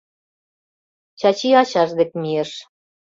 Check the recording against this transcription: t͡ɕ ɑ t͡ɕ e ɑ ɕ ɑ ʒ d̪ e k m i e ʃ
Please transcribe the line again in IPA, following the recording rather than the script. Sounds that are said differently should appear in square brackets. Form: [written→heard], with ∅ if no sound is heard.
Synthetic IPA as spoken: t͡ɕ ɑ t͡ɕ [e→i] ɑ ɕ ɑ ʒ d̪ e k m i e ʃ